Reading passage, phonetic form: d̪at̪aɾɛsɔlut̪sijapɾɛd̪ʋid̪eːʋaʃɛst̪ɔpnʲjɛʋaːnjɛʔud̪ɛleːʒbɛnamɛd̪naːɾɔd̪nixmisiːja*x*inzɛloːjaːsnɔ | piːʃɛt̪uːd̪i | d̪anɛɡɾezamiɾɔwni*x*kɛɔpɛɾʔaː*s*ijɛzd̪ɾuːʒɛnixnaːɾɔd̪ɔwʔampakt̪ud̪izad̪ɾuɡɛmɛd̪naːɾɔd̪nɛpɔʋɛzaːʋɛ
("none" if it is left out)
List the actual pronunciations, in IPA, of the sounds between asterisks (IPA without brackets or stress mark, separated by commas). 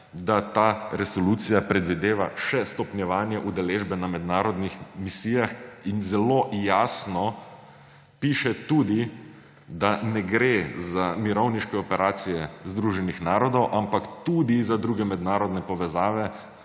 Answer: x, ʃ, s